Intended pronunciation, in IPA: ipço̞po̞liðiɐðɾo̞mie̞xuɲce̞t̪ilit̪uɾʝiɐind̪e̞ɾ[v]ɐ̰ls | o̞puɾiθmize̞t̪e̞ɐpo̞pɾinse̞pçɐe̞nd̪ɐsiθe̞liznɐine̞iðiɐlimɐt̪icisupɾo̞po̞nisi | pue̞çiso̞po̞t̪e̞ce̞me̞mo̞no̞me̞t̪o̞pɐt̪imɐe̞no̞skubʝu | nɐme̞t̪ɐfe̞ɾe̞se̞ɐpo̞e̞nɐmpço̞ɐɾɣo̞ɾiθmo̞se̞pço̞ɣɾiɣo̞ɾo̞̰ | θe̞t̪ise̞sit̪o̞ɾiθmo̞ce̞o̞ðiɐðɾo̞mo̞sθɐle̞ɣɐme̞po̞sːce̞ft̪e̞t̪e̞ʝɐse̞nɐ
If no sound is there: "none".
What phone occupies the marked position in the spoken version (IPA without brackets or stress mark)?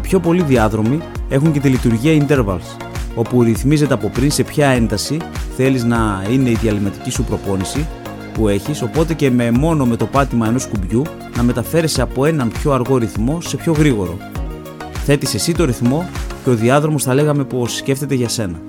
v